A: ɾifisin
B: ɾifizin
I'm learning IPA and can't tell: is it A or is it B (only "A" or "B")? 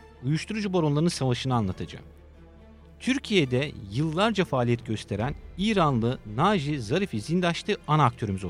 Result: B